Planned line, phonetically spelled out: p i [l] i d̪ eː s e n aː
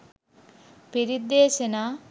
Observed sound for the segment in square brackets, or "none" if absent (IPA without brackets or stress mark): ɾ